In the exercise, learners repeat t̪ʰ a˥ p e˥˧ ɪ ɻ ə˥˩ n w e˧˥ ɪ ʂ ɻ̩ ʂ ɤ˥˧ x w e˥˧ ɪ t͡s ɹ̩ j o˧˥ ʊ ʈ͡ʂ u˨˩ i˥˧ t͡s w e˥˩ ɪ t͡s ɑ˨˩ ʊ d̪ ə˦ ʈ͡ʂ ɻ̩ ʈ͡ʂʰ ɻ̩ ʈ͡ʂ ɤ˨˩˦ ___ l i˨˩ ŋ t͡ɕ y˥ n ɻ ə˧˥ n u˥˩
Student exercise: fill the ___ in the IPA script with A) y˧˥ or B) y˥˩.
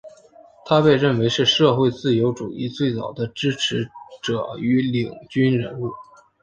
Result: A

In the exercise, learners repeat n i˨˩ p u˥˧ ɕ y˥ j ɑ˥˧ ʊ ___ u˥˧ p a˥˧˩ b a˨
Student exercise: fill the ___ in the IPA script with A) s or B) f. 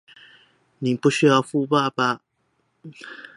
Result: B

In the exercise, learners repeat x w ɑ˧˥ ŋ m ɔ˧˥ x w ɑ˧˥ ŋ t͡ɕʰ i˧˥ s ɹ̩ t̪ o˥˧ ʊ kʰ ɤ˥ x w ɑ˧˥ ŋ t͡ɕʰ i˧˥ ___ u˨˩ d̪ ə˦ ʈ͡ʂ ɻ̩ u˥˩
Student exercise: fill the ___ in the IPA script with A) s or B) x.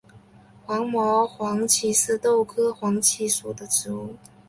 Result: A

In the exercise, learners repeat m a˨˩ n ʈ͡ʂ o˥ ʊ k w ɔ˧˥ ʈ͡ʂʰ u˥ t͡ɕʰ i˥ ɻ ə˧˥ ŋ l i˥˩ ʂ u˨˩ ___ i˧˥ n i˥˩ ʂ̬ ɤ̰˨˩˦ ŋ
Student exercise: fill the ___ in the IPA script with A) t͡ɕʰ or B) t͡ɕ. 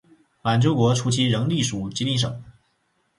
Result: B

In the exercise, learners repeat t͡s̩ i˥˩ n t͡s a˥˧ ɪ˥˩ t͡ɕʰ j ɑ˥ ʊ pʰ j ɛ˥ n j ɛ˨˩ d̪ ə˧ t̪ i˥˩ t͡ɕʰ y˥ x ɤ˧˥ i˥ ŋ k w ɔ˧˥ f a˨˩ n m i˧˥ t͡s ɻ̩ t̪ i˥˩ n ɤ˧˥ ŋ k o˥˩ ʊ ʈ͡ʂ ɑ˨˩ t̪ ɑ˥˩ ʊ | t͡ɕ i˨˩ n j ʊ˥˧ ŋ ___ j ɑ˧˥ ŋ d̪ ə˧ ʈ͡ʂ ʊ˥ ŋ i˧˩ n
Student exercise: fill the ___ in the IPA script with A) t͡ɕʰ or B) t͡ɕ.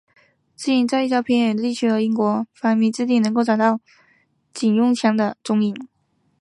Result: A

